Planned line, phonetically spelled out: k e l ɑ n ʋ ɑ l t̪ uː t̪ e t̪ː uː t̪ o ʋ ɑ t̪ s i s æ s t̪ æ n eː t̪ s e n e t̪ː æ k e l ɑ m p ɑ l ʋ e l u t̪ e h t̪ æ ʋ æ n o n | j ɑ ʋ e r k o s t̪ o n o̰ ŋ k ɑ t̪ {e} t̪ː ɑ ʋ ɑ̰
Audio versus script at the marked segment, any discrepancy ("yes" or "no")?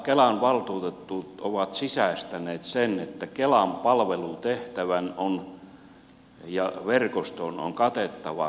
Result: no